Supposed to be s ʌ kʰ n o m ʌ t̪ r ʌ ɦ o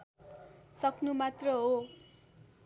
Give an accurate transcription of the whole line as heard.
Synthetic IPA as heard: s ʌ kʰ n u m a t̪ r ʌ ɦ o